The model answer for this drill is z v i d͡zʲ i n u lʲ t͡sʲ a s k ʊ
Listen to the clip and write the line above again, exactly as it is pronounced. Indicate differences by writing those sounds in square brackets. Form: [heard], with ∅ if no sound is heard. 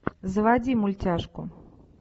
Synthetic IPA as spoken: z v [a] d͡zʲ i [m] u lʲ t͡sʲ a [ʂ] k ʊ